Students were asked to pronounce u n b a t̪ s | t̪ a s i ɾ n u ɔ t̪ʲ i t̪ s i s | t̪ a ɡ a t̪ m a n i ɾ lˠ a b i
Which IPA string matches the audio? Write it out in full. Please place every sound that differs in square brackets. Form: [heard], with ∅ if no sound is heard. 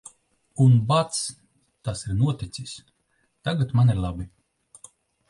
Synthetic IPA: u n b a t̪ s | t̪ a s i ɾ n u ɔ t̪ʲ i t̪ s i s | t̪ a ɡ a t̪ m a n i ɾ lˠ a b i